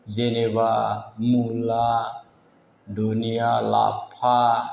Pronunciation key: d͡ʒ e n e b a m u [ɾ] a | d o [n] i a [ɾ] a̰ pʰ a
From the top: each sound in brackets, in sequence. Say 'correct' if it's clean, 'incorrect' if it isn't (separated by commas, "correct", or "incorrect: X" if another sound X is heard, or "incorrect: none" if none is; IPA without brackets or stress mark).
incorrect: l, correct, incorrect: l